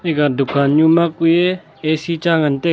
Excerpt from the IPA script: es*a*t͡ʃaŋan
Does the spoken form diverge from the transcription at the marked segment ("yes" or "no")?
yes